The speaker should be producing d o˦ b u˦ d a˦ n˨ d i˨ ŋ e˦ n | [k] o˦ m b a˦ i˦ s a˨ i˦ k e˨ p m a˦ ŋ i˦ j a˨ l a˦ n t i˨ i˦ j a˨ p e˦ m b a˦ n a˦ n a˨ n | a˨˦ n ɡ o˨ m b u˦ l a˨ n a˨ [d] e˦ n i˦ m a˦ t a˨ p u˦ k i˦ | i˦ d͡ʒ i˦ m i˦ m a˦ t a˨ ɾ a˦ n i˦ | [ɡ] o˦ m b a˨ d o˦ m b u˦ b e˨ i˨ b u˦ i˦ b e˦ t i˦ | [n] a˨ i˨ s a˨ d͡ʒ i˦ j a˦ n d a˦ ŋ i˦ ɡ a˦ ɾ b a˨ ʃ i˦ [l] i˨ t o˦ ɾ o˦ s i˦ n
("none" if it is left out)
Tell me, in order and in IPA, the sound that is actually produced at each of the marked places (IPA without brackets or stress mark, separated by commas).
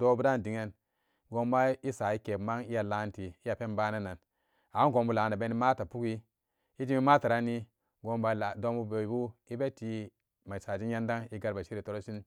ɡ, b, ɡ, m, ɾ